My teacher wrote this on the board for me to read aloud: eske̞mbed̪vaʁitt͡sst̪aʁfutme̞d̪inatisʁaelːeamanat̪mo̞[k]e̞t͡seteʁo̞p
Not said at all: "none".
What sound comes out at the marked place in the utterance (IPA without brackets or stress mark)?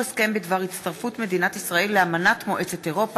ʔ